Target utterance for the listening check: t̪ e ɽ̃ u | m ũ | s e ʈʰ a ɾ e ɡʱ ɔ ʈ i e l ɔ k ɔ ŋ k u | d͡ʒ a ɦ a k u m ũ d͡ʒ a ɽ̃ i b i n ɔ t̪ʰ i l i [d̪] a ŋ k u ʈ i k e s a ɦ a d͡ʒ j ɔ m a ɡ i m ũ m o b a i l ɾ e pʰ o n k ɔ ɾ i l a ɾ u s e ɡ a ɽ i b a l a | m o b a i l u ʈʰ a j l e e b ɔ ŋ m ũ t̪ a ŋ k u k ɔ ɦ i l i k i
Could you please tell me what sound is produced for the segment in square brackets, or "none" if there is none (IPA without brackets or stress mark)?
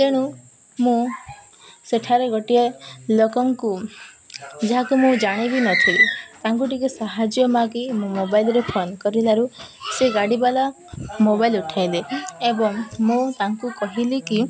t̪